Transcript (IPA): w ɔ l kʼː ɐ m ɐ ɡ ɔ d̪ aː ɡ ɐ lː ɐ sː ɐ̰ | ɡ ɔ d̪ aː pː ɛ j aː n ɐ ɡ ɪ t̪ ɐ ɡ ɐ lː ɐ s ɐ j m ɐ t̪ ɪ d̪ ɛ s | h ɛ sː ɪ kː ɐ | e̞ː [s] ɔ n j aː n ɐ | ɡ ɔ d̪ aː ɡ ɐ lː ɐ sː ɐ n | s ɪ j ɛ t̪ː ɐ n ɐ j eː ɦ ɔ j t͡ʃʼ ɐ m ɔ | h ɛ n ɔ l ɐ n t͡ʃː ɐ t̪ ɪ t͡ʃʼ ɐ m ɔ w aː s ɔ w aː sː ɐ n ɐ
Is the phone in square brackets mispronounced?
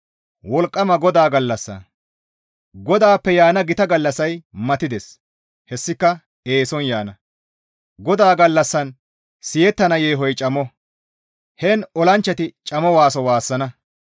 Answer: no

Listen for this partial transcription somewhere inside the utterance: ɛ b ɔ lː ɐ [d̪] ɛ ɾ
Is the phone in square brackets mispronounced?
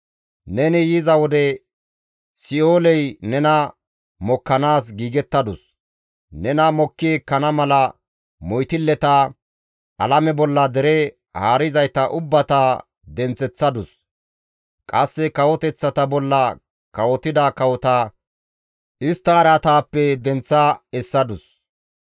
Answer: no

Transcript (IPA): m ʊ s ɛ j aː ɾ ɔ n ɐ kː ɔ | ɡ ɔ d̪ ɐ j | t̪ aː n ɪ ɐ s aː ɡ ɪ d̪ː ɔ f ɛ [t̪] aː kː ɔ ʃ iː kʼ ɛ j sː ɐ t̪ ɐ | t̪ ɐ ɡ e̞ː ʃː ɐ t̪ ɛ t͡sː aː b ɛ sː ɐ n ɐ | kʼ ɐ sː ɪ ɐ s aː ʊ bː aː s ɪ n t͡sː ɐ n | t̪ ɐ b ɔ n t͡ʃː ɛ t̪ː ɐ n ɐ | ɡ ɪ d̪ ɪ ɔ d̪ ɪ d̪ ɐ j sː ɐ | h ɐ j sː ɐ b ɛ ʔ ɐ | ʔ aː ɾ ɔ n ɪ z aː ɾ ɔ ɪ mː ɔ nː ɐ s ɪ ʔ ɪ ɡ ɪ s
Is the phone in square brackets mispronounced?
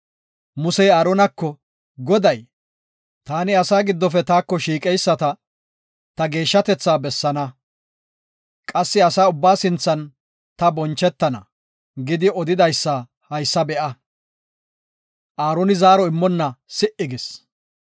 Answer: no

